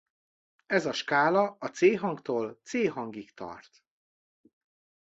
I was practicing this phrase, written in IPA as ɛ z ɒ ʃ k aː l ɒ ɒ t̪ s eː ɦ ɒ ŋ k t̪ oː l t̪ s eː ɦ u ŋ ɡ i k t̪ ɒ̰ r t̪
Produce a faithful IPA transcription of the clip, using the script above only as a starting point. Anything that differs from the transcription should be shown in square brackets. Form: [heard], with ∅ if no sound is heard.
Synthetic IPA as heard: ɛ z ɒ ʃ k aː l ɒ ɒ t̪ s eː ɦ ɒ ŋ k t̪ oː l t̪ s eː ɦ [ɒ] ŋ ɡ i k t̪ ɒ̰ r t̪